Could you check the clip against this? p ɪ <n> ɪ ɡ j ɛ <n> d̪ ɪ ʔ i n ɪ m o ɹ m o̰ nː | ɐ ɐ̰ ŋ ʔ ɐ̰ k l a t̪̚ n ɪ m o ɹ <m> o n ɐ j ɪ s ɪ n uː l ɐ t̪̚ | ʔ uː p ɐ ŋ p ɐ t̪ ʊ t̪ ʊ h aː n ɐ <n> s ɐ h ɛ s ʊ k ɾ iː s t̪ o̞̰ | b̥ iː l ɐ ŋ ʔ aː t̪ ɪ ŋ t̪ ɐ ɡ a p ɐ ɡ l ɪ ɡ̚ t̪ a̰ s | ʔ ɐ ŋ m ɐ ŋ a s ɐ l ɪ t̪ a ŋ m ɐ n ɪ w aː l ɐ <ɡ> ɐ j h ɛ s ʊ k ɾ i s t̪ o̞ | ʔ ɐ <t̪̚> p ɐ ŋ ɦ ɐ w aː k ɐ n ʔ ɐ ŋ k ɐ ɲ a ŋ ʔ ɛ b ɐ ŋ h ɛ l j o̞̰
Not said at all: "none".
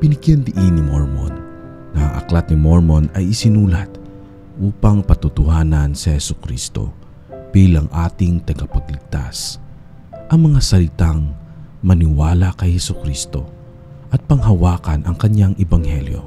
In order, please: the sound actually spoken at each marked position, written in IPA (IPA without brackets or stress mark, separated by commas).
n, n, m, n, k, t̪̚